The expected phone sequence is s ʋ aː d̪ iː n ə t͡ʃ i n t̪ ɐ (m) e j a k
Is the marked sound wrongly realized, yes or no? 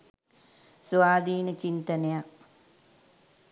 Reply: yes